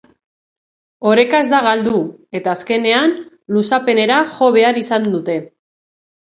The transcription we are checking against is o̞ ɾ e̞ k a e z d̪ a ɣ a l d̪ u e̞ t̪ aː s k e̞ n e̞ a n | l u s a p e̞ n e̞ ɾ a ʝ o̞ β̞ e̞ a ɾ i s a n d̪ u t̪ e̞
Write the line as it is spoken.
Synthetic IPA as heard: o̞ ɾ e̞ k a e z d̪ a ɣ a l d̪ u e̞ t̪ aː s k e̞ n e̞ a n | l u s a p e̞ n e̞ ɾ a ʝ o̞ β̞ e̞ a ɾ i s a n d̪ u t̪ e̞